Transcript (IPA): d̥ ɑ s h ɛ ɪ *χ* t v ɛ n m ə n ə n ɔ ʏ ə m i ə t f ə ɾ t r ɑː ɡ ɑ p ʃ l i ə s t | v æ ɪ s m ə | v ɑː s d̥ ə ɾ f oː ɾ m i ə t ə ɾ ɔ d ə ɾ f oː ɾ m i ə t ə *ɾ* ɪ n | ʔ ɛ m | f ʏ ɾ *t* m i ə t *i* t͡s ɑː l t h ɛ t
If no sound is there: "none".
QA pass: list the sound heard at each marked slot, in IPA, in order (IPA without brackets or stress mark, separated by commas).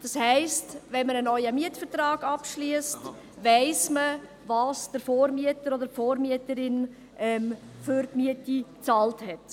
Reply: s, ɾ, t, i